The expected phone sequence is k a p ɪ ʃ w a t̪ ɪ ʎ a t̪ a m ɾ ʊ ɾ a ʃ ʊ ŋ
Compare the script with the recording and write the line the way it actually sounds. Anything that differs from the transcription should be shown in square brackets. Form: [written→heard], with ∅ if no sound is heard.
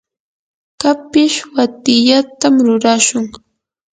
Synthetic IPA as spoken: k a p ɪ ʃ w a t̪ ɪ ʎ a t̪ a m ɾ ʊ ɾ a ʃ ʊ ŋ